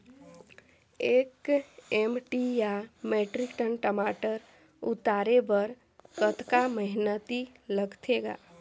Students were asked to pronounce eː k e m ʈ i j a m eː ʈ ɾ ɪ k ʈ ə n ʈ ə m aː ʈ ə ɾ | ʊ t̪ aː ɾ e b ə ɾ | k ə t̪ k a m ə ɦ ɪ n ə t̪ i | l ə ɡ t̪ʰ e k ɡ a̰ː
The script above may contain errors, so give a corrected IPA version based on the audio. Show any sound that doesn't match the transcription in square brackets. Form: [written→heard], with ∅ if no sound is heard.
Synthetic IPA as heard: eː k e m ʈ i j a m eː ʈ ɾ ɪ k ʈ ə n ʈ ə m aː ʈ ə ɾ | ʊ t̪ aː ɾ e b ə ɾ | k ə t̪ k a m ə ɦ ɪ n ə t̪ i | l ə ɡ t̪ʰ e [k→∅] ɡ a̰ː